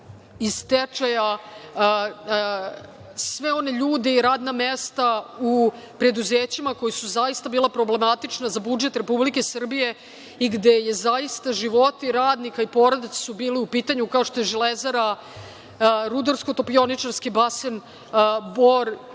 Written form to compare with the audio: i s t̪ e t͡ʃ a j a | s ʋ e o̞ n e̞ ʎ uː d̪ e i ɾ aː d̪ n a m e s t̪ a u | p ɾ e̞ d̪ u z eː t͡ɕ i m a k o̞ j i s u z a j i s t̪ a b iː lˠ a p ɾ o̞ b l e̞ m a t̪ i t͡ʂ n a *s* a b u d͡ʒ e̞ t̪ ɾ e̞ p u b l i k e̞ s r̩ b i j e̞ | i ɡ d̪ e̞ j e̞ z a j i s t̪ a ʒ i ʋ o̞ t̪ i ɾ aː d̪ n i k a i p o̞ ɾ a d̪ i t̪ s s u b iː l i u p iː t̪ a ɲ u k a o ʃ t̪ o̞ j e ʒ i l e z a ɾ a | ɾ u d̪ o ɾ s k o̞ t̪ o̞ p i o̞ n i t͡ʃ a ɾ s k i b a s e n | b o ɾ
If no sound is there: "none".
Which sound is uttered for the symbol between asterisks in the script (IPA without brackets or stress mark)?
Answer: z